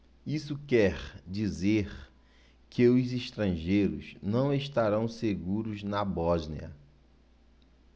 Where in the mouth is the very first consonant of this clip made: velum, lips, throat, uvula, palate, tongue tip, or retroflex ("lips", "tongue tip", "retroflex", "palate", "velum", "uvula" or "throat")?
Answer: tongue tip